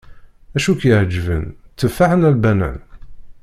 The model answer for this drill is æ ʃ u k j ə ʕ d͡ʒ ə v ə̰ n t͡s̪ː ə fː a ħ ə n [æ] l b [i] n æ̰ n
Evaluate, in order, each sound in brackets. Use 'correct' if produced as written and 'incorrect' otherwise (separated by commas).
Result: correct, incorrect